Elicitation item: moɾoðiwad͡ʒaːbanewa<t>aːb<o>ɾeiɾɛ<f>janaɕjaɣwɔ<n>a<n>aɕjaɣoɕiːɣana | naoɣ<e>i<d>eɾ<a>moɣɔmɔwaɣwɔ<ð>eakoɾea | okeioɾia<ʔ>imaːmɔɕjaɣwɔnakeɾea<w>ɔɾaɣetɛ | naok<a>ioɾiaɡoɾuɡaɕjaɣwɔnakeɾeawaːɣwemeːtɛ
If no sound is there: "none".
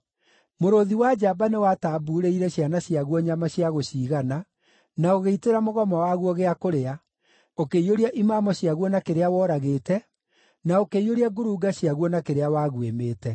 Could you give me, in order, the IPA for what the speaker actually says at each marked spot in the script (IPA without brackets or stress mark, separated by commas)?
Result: t, u, ɕ, ɲ, m, e, t, a, ɣ, ʔ, w, e